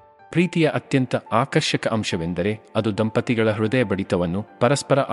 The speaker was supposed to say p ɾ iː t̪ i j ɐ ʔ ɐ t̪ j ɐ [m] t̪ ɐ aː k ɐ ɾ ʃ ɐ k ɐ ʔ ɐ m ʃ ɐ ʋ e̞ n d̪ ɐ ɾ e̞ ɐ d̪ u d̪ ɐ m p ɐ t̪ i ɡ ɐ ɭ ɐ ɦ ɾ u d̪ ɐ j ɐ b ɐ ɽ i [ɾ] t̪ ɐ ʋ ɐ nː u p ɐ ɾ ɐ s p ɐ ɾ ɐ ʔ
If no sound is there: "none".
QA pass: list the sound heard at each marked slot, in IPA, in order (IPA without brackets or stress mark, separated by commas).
n, none